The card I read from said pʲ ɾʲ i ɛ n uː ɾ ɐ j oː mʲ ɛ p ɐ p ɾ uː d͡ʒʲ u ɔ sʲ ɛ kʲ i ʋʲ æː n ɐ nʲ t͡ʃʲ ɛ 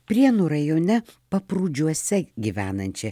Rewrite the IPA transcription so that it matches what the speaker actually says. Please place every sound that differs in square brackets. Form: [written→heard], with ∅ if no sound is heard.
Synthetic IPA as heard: pʲ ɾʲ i ɛ n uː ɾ ɐ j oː [mʲ→nʲ] ɛ p ɐ p ɾ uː d͡ʒʲ u ɔ sʲ ɛ [kʲ→ɡʲ] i ʋʲ æː n ɐ nʲ t͡ʃʲ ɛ